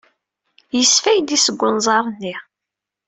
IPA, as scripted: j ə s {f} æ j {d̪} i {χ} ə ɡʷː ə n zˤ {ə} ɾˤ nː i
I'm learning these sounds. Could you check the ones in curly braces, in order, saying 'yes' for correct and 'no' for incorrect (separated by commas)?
yes, yes, no, no